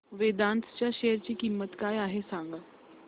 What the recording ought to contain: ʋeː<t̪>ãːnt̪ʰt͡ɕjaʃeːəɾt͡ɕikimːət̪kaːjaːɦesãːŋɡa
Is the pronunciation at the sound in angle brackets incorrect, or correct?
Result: incorrect